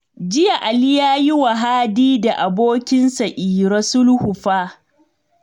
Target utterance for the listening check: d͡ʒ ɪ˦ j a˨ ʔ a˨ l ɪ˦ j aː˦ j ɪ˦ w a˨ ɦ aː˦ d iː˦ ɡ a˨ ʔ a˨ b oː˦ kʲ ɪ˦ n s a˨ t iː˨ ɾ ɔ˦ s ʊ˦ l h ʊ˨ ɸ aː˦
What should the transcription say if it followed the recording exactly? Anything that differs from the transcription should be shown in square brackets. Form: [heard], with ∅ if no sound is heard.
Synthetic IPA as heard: d͡ʒ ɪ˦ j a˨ ʔ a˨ l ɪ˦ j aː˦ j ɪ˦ w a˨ ɦ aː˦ d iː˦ [d] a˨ ʔ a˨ b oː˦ kʲ ɪ˦ n s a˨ [ʔ] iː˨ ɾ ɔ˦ s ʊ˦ l h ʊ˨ ɸ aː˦